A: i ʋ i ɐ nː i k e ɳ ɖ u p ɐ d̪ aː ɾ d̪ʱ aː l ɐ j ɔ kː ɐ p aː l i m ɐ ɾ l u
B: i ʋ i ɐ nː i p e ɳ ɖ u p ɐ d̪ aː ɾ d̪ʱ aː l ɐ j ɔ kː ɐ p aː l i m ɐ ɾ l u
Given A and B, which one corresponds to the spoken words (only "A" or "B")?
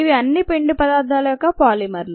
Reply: B